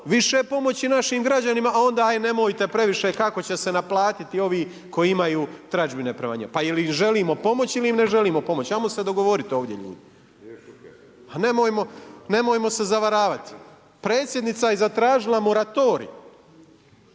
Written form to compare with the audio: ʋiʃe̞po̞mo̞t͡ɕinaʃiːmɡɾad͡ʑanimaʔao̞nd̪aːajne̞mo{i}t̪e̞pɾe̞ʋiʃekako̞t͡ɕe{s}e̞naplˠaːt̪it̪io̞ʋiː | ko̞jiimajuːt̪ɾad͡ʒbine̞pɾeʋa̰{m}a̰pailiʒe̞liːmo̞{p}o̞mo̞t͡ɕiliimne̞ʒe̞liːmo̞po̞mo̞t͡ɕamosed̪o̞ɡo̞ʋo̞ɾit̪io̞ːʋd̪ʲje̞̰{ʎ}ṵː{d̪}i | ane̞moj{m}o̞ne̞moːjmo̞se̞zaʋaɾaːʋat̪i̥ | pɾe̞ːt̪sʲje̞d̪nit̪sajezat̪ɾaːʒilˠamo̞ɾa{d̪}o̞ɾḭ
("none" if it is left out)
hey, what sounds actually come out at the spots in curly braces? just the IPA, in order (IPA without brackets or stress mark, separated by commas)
j, s, ɲ, p, ʎ, d̪, m, t̪